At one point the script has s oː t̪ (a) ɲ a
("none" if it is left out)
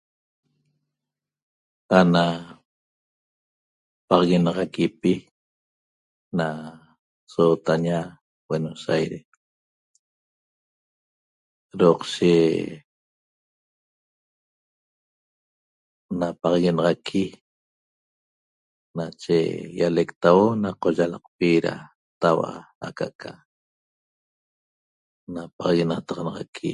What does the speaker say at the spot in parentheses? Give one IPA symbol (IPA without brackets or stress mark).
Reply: a